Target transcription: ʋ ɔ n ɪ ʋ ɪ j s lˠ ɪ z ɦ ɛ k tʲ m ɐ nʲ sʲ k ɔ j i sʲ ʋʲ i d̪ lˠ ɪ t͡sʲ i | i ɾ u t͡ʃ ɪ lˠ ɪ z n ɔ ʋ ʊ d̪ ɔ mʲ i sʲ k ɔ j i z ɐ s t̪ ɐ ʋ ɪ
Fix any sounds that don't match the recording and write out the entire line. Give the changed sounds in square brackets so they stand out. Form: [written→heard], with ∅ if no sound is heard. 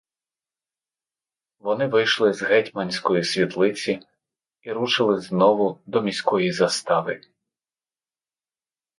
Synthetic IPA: ʋ ɔ n ɪ ʋ ɪ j [s→ʃ] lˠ ɪ z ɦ ɛ [k→∅] tʲ m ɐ nʲ sʲ k ɔ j i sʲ ʋʲ i [d̪→t̪] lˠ ɪ t͡sʲ i | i ɾ u t͡ʃ ɪ lˠ ɪ z n ɔ ʋ ʊ d̪ ɔ mʲ i sʲ k ɔ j i z ɐ s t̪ [ɐ→ɑ] ʋ ɪ

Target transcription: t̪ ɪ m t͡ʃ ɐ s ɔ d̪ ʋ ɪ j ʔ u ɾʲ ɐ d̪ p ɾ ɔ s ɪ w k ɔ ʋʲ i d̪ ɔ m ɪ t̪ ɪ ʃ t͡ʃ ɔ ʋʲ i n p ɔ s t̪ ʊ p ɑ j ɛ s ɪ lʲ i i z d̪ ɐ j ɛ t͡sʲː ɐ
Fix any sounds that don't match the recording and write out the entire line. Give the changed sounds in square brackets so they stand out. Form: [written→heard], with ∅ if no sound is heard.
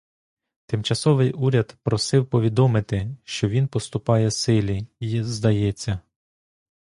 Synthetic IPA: t̪ ɪ m t͡ʃ ɐ s ɔ [d̪→∅] ʋ ɪ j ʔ u ɾʲ ɐ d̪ p ɾ ɔ s ɪ w [k→p] ɔ ʋʲ i d̪ ɔ m ɪ t̪ ɪ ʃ t͡ʃ ɔ ʋʲ i n p ɔ s t̪ ʊ p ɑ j ɛ s ɪ lʲ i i z d̪ ɐ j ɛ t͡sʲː ɐ

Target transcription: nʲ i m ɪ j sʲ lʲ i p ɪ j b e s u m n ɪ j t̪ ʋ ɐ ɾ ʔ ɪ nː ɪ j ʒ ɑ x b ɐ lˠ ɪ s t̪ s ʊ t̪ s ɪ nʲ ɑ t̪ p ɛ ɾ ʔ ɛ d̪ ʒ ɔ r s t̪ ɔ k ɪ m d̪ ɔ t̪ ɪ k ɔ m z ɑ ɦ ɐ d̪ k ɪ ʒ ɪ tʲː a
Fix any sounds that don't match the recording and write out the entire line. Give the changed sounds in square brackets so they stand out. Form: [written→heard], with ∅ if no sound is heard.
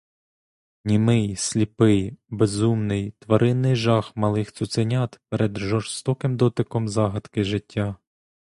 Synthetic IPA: nʲ i m ɪ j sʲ lʲ i p ɪ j b e [s→z] u m n ɪ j t̪ ʋ ɐ ɾ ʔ ɪ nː ɪ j ʒ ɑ x [b→m] ɐ lˠ ɪ [s→x] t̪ s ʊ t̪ s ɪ nʲ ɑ t̪ p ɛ ɾ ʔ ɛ d̪ ʒ ɔ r s t̪ ɔ k ɪ m d̪ ɔ t̪ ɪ k ɔ m z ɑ ɦ ɐ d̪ k ɪ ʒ ɪ tʲː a

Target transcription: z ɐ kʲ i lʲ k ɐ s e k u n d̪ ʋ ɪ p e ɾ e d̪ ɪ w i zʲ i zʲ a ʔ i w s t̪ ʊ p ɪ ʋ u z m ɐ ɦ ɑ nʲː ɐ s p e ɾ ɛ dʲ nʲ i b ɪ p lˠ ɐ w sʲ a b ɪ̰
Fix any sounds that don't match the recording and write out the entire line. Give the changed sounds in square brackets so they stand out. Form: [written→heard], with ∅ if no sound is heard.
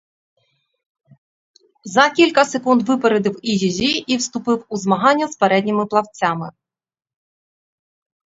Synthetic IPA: z ɐ kʲ i lʲ k ɐ s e k u n d̪ ʋ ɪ p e ɾ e d̪ ɪ w i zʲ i zʲ [a→i] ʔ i w s t̪ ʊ p ɪ [ʋ→w] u z m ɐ ɦ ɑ nʲː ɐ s p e ɾ ɛ dʲ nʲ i [b→m] ɪ p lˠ ɐ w [sʲ→t͡sʲ] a [b→m] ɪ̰

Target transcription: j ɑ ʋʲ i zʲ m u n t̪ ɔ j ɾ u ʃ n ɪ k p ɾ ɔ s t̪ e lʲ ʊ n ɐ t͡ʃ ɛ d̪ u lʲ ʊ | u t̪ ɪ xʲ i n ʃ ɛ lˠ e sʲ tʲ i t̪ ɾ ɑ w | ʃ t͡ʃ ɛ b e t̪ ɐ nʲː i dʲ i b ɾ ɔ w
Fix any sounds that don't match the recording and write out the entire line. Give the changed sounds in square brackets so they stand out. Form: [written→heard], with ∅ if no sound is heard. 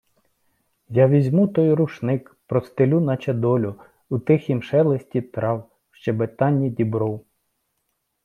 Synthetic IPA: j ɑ ʋʲ i zʲ m u [n→∅] t̪ ɔ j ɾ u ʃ n ɪ k p ɾ ɔ s t̪ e lʲ [ʊ→u] n ɐ t͡ʃ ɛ d̪ [u→ɔ] lʲ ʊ | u t̪ ɪ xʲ i [n→m] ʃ ɛ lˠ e sʲ tʲ i t̪ ɾ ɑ w | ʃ t͡ʃ ɛ b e t̪ [ɐ→ɑ] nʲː i dʲ i b ɾ ɔ w

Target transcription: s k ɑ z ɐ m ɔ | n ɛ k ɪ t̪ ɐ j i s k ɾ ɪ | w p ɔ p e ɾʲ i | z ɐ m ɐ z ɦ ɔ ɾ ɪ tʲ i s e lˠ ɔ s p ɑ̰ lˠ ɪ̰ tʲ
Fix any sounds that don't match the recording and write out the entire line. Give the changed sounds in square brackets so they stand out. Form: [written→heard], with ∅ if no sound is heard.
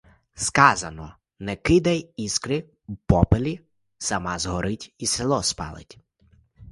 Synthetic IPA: s k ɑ z ɐ [m→n] ɔ | n ɛ k ɪ [t̪→d̪] ɐ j i s k ɾ ɪ | w p ɔ p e [ɾʲ→lʲ] i | [z→s] ɐ m [ɐ→ɑ] z ɦ ɔ ɾ ɪ tʲ i s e lˠ ɔ s p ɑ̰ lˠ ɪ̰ tʲ

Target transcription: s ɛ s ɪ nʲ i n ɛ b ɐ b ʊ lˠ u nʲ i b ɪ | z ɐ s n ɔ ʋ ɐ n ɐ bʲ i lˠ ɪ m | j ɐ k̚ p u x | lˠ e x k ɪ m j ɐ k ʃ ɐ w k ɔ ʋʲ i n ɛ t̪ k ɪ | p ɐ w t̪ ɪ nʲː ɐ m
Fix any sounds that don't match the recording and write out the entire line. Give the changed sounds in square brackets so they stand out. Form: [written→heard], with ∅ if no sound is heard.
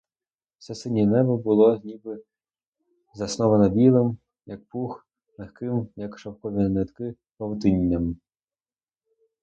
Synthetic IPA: s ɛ s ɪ nʲ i n ɛ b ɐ b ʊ lˠ [u→ɔ] nʲ i b ɪ | z ɐ s n ɔ ʋ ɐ n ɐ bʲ i lˠ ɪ m | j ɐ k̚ p u x | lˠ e x k ɪ m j ɐ k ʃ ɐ w k ɔ ʋʲ i n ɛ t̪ k ɪ | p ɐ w t̪ ɪ nʲː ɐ m

